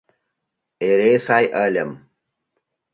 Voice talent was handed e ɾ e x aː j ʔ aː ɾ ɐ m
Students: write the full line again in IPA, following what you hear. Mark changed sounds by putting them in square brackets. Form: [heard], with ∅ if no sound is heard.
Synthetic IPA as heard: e ɾ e [s] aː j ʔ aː [l] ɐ m